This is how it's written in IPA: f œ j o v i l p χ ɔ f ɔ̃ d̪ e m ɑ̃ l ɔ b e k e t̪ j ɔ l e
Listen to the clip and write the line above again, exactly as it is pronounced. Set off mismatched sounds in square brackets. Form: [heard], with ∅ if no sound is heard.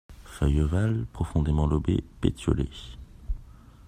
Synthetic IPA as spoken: f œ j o v [a] l p χ ɔ f ɔ̃ d̪ e m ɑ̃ l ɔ b e [p] e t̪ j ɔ l e